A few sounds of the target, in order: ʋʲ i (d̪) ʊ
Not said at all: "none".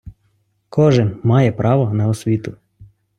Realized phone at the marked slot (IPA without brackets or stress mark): t̪